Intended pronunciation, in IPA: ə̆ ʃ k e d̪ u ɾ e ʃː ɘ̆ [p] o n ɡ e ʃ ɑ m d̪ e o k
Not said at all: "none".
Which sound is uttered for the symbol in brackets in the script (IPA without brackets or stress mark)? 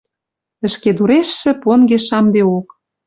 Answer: p